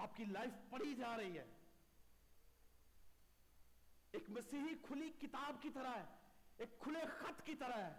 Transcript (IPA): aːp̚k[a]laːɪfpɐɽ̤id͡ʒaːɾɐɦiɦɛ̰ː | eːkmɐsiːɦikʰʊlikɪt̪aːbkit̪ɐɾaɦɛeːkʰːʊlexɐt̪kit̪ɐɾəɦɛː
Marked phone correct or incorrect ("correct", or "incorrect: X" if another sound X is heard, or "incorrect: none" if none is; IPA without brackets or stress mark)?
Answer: incorrect: i